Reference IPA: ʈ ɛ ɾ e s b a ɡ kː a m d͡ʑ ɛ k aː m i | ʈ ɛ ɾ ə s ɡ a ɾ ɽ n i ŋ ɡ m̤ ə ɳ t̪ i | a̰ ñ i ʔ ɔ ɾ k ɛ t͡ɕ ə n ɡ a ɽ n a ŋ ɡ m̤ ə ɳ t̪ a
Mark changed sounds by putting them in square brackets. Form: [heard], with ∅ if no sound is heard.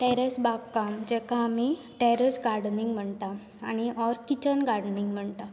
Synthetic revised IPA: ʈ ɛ ɾ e s b a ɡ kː a m d͡ʑ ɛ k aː m i | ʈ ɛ ɾ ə s ɡ a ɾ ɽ n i ŋ ɡ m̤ ə ɳ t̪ [a] | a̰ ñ i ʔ ɔ ɾ k [i] t͡ɕ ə n ɡ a ɽ n [i] ŋ ɡ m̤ ə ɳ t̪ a